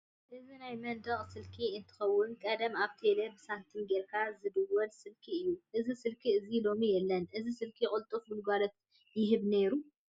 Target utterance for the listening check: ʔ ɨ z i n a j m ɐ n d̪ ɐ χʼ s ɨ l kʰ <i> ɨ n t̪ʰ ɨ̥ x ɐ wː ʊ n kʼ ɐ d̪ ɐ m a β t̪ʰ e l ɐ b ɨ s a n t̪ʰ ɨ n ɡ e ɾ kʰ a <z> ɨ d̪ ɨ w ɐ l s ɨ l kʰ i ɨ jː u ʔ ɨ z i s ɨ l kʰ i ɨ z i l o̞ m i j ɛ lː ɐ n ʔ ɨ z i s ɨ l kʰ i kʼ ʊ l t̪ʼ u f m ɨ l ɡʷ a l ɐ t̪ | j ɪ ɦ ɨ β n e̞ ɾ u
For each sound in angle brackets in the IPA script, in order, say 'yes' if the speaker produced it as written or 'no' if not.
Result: yes, yes

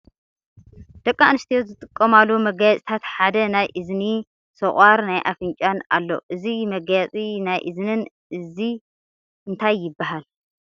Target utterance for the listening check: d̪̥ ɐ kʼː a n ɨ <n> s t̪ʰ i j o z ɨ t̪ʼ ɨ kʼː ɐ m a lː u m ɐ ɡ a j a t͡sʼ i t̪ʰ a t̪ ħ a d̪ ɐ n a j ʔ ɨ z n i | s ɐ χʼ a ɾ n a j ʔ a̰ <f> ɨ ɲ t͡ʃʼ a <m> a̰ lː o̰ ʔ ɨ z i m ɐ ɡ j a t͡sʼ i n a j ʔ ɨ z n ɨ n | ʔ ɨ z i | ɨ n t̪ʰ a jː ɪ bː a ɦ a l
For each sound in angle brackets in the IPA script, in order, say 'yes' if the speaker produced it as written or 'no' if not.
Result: no, yes, no

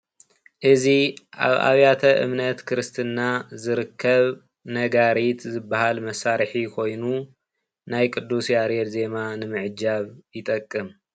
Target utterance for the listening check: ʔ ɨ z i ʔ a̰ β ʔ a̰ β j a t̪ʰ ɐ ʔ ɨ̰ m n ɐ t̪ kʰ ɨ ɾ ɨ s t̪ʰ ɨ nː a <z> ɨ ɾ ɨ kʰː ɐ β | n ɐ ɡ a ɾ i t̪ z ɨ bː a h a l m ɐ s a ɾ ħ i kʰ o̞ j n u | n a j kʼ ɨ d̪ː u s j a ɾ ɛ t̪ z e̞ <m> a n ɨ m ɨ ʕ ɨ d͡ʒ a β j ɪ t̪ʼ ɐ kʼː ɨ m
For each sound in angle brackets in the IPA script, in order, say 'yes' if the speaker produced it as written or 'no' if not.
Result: yes, yes

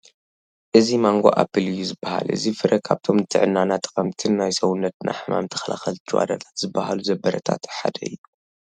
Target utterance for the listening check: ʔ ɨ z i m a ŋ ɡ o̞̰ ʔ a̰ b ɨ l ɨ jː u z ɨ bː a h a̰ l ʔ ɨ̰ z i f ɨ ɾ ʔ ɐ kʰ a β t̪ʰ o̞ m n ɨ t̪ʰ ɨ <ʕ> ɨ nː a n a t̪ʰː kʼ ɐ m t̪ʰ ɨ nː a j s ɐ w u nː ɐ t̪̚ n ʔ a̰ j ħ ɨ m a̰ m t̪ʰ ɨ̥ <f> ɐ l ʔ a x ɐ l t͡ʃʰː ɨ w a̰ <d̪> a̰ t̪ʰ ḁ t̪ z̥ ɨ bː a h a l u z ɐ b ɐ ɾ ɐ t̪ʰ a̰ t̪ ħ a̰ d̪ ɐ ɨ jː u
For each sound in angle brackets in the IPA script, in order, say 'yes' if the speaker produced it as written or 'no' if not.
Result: yes, no, yes

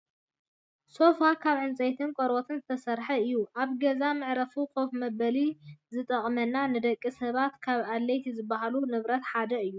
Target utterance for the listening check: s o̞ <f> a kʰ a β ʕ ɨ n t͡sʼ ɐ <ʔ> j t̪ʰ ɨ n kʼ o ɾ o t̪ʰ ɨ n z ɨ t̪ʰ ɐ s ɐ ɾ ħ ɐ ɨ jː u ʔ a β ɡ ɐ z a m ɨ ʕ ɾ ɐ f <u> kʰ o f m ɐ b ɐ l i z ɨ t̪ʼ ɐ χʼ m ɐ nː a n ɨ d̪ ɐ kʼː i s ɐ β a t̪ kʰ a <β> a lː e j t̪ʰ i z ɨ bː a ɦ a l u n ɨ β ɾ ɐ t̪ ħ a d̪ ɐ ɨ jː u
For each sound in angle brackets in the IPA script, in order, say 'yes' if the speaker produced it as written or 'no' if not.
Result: yes, no, yes, yes

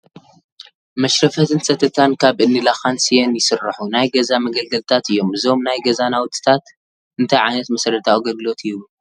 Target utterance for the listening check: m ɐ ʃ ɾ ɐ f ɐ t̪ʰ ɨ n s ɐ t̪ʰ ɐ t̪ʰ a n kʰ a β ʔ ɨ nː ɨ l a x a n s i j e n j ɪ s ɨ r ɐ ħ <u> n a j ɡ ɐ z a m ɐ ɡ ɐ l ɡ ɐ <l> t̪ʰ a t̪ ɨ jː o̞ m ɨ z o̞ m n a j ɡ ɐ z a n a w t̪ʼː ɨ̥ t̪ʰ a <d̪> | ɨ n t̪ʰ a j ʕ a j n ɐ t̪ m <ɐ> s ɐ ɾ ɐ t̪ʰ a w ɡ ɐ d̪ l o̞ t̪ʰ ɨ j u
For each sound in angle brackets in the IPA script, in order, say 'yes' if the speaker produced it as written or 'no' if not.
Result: yes, yes, no, yes

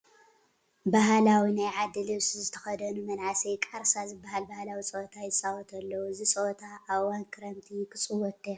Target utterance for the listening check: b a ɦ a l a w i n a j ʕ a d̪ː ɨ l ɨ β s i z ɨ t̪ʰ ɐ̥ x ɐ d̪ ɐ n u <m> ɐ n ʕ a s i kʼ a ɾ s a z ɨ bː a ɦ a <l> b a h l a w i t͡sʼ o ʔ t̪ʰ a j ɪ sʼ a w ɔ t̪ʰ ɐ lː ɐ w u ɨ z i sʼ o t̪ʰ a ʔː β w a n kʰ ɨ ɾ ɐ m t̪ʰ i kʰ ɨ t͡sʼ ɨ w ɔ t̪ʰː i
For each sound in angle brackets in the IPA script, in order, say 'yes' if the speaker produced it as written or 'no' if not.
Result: yes, yes

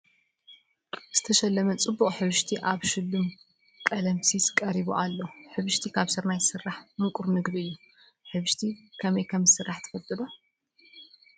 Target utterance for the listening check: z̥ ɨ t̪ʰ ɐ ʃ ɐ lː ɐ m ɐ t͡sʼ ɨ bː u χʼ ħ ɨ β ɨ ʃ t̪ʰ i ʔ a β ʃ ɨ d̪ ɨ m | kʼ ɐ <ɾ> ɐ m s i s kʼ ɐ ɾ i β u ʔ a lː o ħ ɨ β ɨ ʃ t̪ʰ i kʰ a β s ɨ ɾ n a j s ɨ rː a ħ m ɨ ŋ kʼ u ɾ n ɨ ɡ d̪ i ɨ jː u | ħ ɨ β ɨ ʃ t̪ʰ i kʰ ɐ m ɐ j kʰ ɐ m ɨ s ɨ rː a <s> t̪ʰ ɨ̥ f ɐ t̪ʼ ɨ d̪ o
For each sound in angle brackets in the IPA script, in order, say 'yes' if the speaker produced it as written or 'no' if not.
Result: no, no

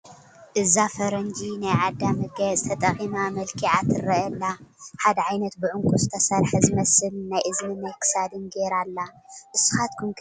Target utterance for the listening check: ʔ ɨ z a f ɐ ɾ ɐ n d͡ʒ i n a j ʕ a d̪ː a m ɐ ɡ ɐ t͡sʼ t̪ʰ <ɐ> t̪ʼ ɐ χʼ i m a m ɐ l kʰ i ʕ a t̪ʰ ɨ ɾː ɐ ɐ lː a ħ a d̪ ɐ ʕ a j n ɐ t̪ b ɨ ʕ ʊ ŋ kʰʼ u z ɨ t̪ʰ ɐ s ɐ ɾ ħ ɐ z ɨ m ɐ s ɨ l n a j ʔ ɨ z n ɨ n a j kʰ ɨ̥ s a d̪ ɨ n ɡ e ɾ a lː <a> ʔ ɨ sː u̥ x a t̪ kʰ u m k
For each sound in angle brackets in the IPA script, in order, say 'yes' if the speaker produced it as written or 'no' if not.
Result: yes, yes

